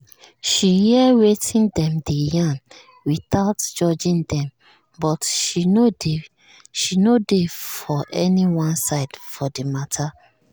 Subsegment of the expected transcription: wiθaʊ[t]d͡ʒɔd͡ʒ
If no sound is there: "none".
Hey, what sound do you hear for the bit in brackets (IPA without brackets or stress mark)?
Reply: t